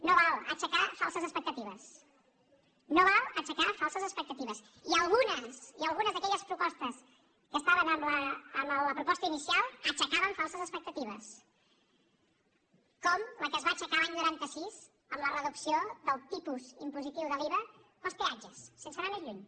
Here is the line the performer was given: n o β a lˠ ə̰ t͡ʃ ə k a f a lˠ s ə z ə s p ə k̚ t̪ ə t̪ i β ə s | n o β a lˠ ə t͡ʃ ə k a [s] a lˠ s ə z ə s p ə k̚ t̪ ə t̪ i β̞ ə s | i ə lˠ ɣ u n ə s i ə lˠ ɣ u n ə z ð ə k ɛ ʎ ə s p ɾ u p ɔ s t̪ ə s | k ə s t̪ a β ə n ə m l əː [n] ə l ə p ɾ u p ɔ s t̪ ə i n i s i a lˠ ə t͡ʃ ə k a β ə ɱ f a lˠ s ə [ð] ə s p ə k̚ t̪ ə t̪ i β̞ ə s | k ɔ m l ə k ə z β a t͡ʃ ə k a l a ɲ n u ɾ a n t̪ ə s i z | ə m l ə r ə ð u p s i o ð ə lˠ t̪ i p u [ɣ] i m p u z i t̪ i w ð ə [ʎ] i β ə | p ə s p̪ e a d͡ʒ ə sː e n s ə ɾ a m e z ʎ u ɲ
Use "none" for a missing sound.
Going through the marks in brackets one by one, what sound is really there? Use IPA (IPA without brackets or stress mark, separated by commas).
f, m, z, z, l